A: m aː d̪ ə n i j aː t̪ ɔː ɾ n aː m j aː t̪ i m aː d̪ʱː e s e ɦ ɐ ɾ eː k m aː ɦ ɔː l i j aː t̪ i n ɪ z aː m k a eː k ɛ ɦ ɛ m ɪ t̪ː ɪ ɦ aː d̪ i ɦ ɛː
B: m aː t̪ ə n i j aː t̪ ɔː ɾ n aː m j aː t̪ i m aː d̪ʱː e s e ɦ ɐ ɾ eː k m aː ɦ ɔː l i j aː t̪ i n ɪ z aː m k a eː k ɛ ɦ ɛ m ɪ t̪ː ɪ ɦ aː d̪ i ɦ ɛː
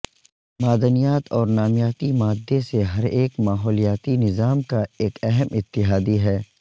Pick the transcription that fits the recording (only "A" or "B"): A